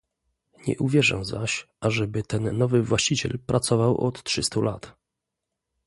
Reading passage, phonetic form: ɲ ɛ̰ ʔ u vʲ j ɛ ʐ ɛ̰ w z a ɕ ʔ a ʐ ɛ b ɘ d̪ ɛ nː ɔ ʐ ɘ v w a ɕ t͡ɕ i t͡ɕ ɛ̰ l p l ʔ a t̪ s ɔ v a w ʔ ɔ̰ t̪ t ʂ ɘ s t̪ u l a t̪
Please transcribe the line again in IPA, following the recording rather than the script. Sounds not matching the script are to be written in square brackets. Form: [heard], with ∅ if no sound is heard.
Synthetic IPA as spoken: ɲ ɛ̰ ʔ u vʲ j ɛ ʐ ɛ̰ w z a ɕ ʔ a ʐ ɛ b ɘ [t̪] ɛ nː ɔ [v] ɘ v w a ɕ t͡ɕ i t͡ɕ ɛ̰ l p [ɾ] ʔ a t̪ s ɔ v a w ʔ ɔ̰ t̪ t ʂ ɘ s t̪ u l a t̪

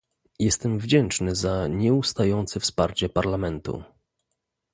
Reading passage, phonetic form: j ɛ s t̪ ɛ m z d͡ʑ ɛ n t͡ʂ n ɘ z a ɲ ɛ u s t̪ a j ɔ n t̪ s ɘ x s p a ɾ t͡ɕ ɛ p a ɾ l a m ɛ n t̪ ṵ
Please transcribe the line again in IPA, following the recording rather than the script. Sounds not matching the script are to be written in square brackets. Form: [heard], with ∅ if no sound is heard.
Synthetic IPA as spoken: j ɛ s t̪ ɛ m [v] d͡ʑ ɛ n t͡ʂ n ɘ z a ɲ ɛ u s t̪ a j ɔ n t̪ s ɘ [f] s p a ɾ t͡ɕ ɛ p a ɾ l a m ɛ n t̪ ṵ

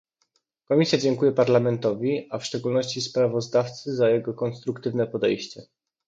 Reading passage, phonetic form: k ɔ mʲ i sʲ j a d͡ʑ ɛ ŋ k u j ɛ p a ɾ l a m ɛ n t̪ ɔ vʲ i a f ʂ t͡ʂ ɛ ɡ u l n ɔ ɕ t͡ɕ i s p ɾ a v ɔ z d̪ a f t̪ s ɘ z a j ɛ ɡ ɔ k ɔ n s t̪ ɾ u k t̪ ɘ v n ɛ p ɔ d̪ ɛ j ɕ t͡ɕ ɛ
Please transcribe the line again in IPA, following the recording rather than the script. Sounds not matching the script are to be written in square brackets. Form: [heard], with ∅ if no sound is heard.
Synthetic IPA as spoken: k ɔ mʲ i sʲ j a d͡ʑ ɛ ŋ k u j ɛ p a ɾ l a m ɛ n t̪ ɔ vʲ i a f ʂ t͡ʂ ɛ ɡ u l n ɔ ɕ t͡ɕ i s p ɾ a v ɔ z d̪ a f t̪ s ɘ z a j ɛ ɡ ɔ k ɔ n s t̪ ɾ u k t̪ ɘ v n ɛ p ɔ d̪ ɛ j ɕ t͡ɕ ɛ

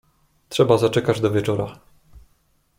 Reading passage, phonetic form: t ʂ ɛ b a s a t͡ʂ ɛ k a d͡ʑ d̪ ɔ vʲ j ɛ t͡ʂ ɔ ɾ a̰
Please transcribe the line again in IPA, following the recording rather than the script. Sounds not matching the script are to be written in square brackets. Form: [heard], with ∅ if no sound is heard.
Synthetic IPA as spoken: t ʂ ɛ b a [z] a t͡ʂ ɛ k a d͡ʑ d̪ ɔ vʲ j ɛ t͡ʂ ɔ ɾ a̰

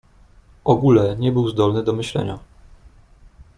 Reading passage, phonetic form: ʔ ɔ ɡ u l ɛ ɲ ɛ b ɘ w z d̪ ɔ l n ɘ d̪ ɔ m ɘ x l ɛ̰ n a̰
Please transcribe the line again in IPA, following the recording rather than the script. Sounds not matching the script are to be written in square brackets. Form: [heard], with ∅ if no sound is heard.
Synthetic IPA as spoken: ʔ ɔ ɡ u l ɛ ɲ ɛ b ɘ w z d̪ ɔ l n ɘ d̪ ɔ m ɘ [ɕ] l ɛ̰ [ɲ] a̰

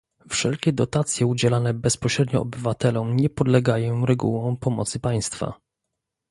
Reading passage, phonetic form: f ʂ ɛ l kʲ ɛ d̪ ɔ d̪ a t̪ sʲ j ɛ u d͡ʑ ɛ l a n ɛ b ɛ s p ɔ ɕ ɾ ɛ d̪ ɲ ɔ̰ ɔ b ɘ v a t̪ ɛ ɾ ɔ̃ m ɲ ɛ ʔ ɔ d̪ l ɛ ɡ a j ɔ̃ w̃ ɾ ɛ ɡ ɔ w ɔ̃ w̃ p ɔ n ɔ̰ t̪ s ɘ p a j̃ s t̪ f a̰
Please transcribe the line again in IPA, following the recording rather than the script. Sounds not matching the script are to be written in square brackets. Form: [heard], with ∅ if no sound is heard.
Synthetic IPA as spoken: f ʂ ɛ l kʲ ɛ d̪ ɔ [t̪] a t̪ sʲ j ɛ u d͡ʑ ɛ l a n ɛ b ɛ s p ɔ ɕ ɾ ɛ d̪ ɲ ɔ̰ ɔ b ɘ v a t̪ ɛ [l] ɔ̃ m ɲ ɛ [p] ɔ d̪ l ɛ ɡ a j ɔ̃ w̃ ɾ ɛ ɡ [u] w ɔ̃ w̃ p ɔ [m] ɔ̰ t̪ s ɘ p a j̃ s t̪ f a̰

